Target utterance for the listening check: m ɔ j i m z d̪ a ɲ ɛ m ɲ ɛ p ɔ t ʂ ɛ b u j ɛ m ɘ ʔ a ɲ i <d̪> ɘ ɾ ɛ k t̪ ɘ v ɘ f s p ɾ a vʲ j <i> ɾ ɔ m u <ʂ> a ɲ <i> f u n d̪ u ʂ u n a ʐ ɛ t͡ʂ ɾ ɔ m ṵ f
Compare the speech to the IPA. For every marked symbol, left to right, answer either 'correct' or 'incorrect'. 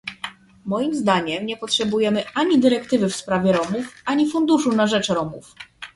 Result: correct, incorrect, incorrect, correct

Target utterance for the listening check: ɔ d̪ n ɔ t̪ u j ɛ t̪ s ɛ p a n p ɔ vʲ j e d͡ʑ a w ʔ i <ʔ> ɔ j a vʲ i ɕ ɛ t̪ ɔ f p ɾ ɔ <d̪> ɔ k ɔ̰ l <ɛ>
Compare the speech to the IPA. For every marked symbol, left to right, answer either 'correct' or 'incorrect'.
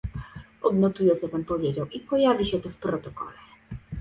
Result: incorrect, incorrect, correct

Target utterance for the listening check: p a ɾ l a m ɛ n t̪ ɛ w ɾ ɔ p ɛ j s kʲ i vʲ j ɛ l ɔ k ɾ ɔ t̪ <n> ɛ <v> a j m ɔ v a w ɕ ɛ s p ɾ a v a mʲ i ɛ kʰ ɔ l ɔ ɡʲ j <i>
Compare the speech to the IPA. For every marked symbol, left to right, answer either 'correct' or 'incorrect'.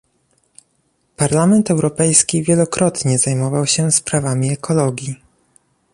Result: incorrect, incorrect, correct

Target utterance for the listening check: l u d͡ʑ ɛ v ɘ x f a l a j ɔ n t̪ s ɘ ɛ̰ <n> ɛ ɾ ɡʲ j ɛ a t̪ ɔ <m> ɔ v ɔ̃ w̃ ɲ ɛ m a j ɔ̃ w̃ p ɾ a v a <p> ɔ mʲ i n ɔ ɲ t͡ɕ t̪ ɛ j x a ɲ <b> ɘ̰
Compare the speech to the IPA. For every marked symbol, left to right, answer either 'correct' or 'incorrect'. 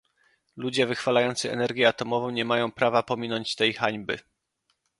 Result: correct, correct, correct, correct

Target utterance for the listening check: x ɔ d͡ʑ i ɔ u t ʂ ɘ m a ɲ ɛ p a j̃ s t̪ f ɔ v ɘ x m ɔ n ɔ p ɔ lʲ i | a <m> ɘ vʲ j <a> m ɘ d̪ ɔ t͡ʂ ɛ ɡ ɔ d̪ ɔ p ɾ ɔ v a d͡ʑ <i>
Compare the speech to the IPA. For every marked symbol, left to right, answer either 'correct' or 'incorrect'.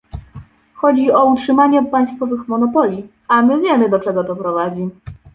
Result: correct, incorrect, correct

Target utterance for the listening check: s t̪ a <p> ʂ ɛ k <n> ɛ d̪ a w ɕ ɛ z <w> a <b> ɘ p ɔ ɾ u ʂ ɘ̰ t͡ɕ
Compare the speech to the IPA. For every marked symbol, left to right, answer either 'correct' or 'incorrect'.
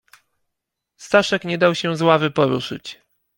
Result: incorrect, incorrect, correct, incorrect

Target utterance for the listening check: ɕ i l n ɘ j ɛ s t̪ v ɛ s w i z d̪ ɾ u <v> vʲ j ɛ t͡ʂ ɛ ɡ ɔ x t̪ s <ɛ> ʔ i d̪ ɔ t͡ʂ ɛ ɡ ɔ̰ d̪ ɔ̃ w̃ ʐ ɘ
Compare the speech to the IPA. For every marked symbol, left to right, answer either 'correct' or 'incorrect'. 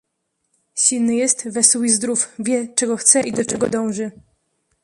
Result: incorrect, correct

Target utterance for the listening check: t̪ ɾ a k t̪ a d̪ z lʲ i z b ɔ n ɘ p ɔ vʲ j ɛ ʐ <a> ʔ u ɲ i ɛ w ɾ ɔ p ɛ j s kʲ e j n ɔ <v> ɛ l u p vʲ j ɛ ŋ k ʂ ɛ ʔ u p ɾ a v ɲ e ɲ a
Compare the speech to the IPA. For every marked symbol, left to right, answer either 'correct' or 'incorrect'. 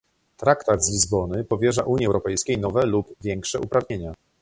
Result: correct, correct

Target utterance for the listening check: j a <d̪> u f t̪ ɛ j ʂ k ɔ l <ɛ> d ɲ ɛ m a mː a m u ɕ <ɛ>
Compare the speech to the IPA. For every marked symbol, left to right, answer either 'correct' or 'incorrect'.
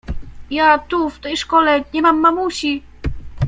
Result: incorrect, correct, incorrect

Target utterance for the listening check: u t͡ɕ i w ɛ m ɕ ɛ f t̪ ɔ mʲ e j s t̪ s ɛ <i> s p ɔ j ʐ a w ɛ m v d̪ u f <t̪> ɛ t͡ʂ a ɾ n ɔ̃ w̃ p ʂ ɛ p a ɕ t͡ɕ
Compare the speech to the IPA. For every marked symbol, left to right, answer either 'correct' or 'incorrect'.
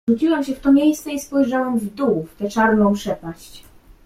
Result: correct, correct

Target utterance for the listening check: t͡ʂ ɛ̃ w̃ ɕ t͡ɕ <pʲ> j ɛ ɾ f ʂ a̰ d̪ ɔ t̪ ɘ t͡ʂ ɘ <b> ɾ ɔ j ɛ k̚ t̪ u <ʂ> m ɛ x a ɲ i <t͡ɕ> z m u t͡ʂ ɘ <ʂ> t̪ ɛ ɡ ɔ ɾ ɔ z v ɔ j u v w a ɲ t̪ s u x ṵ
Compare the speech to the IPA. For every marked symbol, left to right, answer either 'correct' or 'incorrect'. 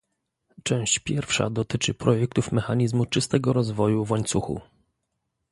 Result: correct, incorrect, incorrect, incorrect, incorrect

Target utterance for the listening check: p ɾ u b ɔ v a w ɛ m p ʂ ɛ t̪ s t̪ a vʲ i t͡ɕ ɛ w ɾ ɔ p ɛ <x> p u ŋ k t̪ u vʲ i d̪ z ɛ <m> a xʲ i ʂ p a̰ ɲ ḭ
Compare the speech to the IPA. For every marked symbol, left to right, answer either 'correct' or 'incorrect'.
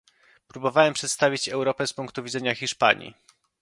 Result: incorrect, incorrect

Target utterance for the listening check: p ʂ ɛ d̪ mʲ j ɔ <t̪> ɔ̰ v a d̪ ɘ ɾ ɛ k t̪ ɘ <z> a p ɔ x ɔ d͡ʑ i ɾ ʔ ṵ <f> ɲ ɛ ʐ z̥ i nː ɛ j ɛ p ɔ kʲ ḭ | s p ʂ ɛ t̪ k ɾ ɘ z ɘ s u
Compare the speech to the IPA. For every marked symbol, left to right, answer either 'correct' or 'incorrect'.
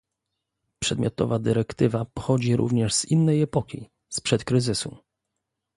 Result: correct, incorrect, incorrect

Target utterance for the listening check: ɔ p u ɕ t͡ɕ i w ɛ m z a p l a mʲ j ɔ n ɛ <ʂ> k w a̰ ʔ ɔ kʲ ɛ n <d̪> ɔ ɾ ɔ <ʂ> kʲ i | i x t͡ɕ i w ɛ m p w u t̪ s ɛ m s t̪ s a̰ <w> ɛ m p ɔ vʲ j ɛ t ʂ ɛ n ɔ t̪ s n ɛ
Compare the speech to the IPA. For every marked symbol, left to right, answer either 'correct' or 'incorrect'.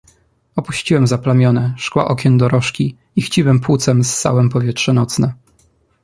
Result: correct, correct, correct, correct

